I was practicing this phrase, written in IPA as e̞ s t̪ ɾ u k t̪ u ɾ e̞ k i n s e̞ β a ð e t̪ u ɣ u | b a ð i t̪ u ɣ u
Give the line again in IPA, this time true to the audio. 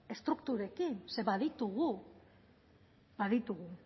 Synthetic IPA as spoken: e̞ s t̪ ɾ u k t̪ u ɾ e̞ k i n s e̞ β a ð i t̪ u ɣ u | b a ð i t̪ u ɣ u